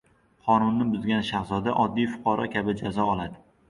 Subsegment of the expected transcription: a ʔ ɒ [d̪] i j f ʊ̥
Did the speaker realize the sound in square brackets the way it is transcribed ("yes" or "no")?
no